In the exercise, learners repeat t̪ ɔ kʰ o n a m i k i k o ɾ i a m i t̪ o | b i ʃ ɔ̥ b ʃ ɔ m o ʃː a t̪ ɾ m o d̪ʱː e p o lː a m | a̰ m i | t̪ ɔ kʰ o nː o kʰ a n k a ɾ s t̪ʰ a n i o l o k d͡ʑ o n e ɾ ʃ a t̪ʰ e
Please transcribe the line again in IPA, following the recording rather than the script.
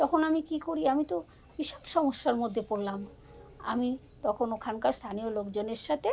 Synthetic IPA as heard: t̪ ɔ kʰ o n a m i k i k o ɾ i a m i t̪ o | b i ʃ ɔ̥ b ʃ ɔ m o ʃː a ɾ m o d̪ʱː e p o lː a m | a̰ m i | t̪ ɔ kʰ o n o kʰ a n k a ɾ s t̪ʰ a n i o l o k d͡ʑ o n e ɾ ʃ a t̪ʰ e